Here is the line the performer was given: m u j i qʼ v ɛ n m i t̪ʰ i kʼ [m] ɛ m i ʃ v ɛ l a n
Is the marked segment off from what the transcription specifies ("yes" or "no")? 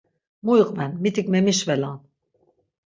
no